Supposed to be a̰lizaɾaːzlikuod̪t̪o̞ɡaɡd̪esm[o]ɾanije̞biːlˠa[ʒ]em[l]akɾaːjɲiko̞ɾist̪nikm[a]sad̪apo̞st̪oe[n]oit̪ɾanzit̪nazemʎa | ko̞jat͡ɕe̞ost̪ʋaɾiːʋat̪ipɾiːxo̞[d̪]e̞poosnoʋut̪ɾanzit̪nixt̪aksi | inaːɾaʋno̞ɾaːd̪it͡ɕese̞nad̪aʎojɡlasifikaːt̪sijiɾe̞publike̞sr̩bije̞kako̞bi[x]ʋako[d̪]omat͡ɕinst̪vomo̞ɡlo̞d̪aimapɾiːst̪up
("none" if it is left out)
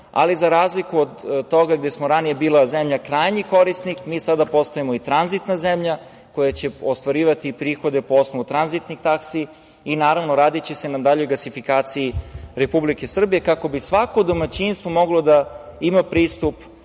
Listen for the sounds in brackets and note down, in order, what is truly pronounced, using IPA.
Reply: o, z, ʎ, i, m, d̪, s, d̪

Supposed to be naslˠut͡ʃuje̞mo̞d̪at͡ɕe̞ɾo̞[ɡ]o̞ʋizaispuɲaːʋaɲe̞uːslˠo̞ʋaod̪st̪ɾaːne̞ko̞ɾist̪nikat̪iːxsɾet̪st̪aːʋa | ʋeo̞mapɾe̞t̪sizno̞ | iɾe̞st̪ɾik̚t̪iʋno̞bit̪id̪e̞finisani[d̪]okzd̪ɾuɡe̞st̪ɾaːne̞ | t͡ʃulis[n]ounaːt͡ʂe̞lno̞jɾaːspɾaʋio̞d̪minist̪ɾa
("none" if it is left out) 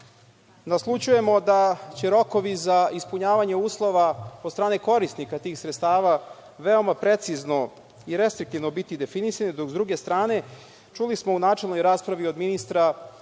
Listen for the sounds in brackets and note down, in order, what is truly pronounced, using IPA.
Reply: k, d̪, m

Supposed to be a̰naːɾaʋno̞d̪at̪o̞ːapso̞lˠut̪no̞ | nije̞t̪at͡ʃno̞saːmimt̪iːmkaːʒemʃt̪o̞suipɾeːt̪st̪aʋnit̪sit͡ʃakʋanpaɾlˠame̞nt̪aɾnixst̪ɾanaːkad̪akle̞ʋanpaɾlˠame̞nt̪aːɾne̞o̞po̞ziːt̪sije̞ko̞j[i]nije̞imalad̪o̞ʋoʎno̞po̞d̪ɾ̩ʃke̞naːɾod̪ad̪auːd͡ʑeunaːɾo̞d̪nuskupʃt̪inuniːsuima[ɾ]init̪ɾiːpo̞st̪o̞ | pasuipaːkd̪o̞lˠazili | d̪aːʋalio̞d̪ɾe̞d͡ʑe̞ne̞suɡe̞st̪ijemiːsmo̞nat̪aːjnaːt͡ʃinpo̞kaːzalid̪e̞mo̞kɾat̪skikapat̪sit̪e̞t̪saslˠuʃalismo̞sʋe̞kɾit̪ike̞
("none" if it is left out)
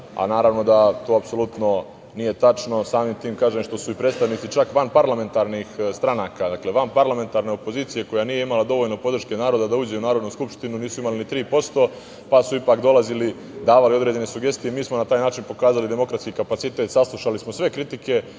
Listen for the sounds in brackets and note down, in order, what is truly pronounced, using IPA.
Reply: a, l

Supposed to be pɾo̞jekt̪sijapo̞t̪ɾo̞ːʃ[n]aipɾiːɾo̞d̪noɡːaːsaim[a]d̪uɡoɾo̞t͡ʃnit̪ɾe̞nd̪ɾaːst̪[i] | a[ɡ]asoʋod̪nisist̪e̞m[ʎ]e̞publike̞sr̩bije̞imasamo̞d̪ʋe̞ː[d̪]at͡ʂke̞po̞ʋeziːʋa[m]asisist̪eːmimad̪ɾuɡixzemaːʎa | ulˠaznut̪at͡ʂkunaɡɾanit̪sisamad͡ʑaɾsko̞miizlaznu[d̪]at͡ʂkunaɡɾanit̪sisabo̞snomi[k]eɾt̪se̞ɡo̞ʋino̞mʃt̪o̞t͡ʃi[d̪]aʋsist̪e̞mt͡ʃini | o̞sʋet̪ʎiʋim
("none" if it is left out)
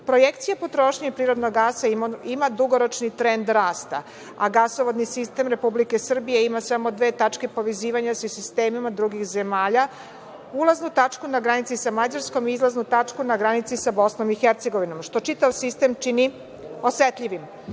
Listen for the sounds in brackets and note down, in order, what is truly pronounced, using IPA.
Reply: ɲ, a, a, ɡ, ɾ, t̪, ɲ, t̪, x, t̪

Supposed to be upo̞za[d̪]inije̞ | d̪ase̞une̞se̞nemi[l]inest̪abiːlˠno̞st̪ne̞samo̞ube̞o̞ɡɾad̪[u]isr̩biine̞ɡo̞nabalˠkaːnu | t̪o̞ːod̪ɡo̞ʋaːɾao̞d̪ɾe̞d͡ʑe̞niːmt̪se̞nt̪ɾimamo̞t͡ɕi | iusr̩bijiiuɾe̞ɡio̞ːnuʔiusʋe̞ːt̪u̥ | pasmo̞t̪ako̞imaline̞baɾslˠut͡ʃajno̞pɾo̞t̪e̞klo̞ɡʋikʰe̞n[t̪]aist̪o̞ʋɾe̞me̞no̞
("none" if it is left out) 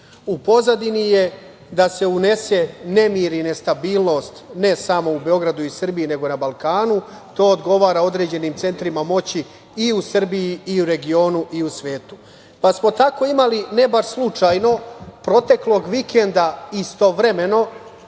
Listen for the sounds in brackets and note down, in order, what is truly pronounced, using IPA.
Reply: d̪, ɾ, u, d̪

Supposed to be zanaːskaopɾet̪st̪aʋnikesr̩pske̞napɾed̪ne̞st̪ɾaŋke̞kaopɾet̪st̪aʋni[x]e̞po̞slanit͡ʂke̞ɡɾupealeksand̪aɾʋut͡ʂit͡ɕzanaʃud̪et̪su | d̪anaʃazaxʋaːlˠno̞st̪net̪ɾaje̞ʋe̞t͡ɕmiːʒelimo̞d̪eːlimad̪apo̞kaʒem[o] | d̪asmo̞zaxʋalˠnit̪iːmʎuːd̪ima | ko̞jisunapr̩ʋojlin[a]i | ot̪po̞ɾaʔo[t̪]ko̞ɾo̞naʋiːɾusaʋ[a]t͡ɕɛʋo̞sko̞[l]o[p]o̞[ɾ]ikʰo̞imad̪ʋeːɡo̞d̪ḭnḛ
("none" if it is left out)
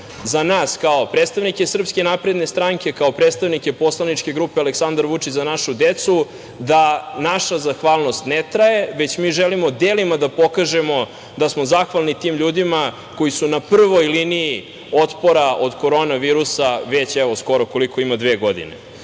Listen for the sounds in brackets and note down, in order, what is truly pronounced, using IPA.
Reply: k, o, i, d̪, e, ɾ, k, l

